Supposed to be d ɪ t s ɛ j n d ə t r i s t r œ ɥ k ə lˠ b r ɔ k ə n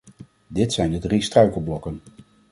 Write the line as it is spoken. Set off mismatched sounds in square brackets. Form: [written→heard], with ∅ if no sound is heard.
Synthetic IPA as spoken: d ɪ t s ɛ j n d ə [t→d] r i s t r œ ɥ k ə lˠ b [r→l] ɔ k ə n